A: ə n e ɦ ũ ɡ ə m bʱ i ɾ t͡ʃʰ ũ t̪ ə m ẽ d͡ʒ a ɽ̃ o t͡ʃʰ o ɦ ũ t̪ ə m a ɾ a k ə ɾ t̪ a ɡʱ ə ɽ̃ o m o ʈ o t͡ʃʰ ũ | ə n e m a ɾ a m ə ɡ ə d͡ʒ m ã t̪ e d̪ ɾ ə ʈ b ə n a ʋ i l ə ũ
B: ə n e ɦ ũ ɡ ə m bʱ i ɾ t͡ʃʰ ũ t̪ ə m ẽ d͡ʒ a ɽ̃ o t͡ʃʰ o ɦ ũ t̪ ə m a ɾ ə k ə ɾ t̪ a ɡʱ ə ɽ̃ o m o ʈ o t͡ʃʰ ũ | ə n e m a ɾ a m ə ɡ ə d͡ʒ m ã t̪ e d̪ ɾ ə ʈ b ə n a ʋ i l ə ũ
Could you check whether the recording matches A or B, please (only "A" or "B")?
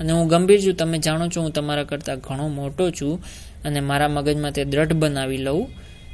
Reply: A